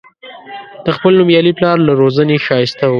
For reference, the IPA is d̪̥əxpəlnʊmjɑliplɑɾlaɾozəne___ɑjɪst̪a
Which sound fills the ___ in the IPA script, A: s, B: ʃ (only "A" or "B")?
B